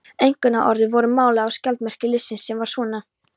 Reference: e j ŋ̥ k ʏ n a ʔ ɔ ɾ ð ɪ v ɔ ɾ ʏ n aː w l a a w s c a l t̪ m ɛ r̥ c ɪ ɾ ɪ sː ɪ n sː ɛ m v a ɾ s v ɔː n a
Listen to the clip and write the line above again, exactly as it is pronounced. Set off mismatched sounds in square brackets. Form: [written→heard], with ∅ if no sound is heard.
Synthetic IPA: e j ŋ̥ k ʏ n a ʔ ɔ ɾ ð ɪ v ɔ ɾ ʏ [n→m] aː w l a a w s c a l t̪ m ɛ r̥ c ɪ [ɾ→l] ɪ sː ɪ n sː ɛ m v a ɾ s v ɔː n a